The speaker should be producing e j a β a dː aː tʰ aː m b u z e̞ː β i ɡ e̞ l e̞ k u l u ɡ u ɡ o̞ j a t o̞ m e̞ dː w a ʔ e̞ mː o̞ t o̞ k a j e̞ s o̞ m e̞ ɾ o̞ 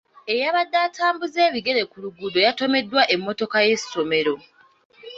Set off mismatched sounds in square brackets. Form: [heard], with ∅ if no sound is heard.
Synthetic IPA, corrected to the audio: e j a β a dː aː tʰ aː m b u z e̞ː β i ɡ e̞ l e̞ k u l u ɡ u [d] o̞ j a t o̞ m e̞ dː w a ʔ e̞ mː o̞ t o̞ k a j e̞ s o̞ m e̞ ɾ o̞